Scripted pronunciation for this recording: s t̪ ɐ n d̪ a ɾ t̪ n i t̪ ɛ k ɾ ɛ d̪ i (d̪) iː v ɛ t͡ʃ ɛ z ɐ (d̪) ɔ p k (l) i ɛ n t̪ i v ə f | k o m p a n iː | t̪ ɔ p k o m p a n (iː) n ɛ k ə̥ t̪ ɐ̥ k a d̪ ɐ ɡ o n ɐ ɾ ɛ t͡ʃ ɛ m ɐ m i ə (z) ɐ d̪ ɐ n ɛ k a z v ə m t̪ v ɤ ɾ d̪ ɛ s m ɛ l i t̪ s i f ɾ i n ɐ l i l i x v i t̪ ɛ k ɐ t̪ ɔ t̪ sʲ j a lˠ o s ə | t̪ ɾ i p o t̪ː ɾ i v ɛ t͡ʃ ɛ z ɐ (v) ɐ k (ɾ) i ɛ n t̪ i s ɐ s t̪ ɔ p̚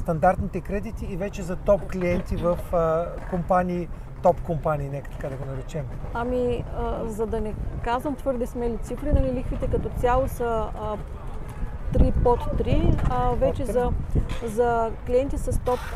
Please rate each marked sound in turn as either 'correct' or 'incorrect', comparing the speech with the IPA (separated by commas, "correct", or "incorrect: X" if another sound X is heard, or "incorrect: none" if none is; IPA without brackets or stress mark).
incorrect: t̪, incorrect: t̪, correct, correct, correct, incorrect: z, incorrect: l